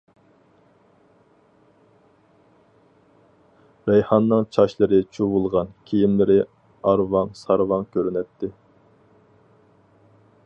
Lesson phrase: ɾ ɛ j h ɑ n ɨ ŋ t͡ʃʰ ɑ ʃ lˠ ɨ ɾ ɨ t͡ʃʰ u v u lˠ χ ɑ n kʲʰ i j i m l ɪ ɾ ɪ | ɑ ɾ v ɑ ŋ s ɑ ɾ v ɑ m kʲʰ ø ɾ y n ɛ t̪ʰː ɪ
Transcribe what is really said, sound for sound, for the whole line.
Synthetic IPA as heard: ɾ ɛ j h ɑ nː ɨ ŋ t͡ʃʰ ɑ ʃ lˠ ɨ ɾ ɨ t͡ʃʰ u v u lˠ ʁ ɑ n kʲʰ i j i m l ɪ ɾ ɪ | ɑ ɾ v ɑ ŋ s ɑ ɾ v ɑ ŋ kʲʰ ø ɾ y n ɛ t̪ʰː ɪ